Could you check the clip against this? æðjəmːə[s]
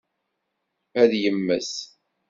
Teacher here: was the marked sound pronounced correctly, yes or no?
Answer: yes